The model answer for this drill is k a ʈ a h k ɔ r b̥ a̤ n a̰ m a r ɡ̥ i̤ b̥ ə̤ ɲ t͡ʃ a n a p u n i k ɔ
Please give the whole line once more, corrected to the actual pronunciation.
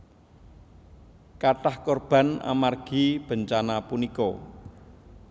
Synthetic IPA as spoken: k a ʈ a h k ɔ r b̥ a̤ n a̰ m a r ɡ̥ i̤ b̥ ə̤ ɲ t͡ʃ a n a p u n i k ɔ